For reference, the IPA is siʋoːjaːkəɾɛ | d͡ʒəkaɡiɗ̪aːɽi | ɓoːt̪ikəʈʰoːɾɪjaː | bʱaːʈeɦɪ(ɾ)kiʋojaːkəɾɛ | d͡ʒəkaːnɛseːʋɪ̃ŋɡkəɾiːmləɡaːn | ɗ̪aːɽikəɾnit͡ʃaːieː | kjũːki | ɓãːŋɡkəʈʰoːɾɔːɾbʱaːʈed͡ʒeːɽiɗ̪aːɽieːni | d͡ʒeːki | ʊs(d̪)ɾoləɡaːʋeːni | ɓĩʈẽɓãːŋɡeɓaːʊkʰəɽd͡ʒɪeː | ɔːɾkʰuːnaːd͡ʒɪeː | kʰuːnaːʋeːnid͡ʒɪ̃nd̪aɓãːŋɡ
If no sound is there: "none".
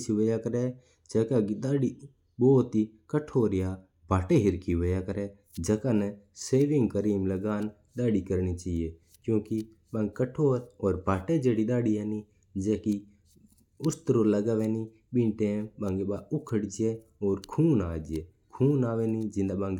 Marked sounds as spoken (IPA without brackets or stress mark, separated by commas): ɾ, t̪